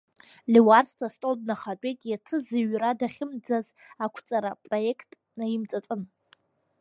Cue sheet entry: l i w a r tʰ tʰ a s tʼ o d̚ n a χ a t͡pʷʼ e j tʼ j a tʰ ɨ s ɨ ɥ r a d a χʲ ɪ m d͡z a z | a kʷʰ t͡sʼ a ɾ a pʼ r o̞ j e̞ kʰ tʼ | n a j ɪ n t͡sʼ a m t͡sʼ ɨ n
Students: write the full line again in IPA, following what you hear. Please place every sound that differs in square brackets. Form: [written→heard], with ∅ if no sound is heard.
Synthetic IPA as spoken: l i w a r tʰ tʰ a s tʼ o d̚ n a χ a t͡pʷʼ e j tʼ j a tʰ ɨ [s→z] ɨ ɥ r a d a χʲ ɪ m d͡z a z | a kʷʰ t͡sʼ a ɾ a pʼ r o̞ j e̞ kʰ tʼ | n a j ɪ [n→m] t͡sʼ a [m→∅] t͡sʼ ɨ n